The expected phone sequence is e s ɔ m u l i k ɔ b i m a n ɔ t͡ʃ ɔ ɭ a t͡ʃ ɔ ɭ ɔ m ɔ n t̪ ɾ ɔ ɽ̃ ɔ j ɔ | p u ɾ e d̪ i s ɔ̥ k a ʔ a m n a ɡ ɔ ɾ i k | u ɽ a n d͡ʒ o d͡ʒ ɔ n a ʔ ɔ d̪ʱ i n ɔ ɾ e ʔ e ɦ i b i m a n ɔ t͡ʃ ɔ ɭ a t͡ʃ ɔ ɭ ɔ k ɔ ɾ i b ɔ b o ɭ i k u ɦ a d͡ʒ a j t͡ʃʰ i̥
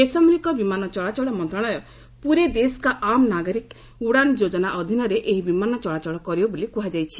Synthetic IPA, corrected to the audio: e s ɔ m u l i k ɔ b i m a n ɔ t͡ʃ ɔ ɭ a t͡ʃ ɔ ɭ ɔ m ɔ n t̪ ɾ ɔ ɽ̃ ɔ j ɔ | p u ɾ e d̪ e s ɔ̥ k a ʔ a m n a ɡ ɔ ɾ i k | u ɽ a n d͡ʒ o d͡ʒ ɔ n a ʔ ɔ d̪ʱ i n ɔ ɾ e ʔ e ɦ i b i m a n ɔ t͡ʃ ɔ ɭ a t͡ʃ ɔ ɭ ɔ k ɔ ɾ i b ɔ b o l i k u ɦ a d͡ʒ a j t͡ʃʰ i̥